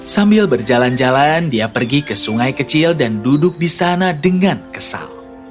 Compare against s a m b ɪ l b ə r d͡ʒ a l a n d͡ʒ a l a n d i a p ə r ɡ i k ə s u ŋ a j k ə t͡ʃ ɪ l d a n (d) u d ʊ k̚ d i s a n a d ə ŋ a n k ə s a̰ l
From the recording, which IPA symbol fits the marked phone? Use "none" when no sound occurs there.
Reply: d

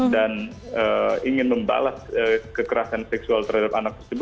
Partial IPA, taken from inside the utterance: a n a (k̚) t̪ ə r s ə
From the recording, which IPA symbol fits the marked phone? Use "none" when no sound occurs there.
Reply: k̚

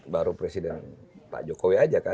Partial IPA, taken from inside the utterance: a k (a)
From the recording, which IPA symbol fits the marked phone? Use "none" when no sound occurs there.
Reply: a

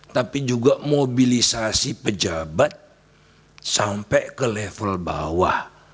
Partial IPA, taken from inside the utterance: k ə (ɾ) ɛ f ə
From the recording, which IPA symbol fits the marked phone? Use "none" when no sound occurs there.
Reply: l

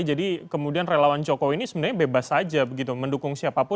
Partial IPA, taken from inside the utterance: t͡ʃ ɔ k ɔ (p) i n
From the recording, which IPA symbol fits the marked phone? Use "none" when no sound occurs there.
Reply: none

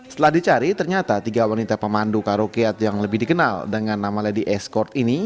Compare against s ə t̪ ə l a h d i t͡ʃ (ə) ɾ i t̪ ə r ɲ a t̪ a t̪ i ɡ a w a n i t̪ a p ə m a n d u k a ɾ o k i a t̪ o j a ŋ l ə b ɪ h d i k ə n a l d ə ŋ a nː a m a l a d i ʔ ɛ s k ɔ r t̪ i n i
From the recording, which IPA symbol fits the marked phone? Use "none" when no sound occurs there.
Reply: a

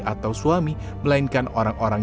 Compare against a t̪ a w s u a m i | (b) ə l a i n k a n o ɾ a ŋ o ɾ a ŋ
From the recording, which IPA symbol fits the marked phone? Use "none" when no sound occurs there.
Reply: m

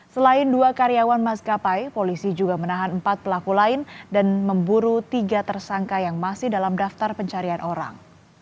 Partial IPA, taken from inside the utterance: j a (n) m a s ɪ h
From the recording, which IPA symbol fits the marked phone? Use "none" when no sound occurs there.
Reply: ŋ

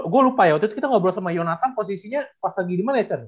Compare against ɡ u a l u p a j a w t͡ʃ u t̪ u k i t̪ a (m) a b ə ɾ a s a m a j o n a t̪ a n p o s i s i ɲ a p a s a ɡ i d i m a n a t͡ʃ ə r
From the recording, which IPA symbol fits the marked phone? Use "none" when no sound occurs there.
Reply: ŋ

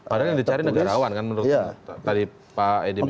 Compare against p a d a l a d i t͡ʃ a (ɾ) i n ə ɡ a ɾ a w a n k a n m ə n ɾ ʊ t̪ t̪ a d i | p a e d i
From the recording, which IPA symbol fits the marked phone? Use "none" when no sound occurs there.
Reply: ɾ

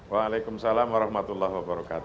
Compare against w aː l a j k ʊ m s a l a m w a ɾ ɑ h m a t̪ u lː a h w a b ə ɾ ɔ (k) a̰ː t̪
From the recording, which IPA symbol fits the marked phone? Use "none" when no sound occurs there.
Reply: k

